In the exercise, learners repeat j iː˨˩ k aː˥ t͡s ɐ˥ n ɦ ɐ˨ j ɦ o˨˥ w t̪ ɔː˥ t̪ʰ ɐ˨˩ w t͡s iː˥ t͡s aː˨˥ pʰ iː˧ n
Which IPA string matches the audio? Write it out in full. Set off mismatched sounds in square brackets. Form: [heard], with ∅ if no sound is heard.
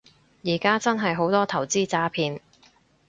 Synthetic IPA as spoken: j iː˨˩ k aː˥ t͡s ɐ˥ n ɦ ɐ˨ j ɦ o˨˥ w t̪ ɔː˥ t̪ʰ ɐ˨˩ w t͡s iː˥ t͡s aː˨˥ pʰ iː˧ n